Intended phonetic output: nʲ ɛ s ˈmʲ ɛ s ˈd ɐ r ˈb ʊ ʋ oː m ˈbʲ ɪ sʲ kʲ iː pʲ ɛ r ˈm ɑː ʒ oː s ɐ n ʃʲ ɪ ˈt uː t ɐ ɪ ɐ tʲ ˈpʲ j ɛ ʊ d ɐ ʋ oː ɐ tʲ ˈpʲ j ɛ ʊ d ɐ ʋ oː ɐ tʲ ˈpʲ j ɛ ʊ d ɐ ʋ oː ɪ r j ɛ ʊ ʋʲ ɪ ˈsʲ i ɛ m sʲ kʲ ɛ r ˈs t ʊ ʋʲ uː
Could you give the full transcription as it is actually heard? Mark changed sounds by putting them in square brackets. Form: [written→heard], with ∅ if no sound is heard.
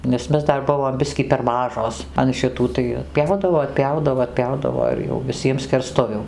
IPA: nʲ ɛ s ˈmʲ ɛ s ˈd ɐ r ˈb ʊ ʋ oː m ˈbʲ ɪ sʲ kʲ iː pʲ ɛ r ˈm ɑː ʒ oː s ɐ n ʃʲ ɪ ˈt uː t ɐ ɪ ɐ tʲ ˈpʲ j ɛ ʊ d ɐ ʋ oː ɐ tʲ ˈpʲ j ɛ ʊ d ɐ ʋ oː ɐ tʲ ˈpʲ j ɛ ʊ d ɐ ʋ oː ɪ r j ɛ ʊ ʋʲ ɪ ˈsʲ i ɛ m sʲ kʲ ɛ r ˈs t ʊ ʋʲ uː